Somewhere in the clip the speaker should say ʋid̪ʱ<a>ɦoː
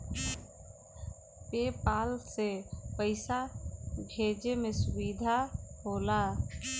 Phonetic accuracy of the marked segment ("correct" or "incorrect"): correct